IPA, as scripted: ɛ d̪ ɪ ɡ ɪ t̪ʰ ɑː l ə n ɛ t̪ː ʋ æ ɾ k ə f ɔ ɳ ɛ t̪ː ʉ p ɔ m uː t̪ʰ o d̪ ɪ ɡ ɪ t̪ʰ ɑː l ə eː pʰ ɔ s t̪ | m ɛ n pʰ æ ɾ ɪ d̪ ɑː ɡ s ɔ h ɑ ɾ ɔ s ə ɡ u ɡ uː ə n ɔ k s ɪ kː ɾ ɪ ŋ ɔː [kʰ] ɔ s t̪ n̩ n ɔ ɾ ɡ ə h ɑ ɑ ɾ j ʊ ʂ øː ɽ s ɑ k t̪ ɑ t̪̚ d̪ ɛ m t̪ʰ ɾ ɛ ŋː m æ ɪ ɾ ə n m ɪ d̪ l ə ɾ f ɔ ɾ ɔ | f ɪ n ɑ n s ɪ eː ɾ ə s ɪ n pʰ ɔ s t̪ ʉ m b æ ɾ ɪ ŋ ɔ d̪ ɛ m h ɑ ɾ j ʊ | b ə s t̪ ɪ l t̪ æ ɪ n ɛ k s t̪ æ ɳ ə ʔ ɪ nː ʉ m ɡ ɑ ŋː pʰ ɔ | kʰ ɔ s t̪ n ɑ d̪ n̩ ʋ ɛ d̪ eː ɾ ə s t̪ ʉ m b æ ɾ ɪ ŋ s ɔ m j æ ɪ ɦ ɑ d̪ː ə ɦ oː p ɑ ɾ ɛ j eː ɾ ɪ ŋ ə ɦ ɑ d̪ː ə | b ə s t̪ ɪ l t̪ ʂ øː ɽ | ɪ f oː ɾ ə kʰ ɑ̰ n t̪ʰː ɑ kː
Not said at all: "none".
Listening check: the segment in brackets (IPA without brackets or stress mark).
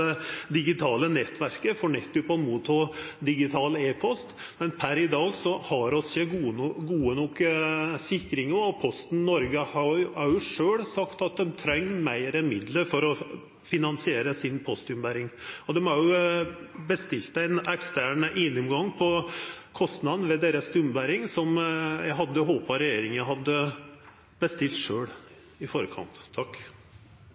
pʰ